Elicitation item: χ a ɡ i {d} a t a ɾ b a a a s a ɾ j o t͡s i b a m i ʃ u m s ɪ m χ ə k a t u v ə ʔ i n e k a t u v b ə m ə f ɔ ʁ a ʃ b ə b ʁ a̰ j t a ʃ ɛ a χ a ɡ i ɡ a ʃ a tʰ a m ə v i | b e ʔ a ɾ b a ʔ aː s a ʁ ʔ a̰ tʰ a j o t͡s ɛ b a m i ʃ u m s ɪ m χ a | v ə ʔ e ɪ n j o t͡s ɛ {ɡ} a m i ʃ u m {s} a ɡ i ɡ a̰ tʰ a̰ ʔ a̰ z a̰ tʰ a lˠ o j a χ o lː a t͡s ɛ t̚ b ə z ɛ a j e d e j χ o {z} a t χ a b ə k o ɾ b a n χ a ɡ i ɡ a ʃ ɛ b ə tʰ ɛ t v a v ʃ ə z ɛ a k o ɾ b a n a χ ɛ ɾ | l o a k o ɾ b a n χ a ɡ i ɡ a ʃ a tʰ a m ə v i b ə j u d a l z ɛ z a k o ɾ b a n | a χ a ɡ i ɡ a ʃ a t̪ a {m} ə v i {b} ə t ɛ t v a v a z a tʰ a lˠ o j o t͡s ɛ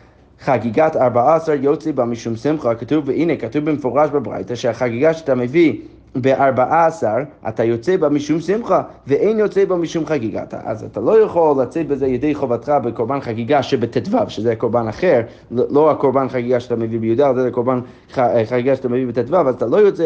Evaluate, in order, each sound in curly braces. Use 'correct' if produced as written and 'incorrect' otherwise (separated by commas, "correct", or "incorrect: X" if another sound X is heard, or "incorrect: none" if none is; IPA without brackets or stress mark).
incorrect: ɡ, incorrect: b, incorrect: χ, incorrect: v, correct, correct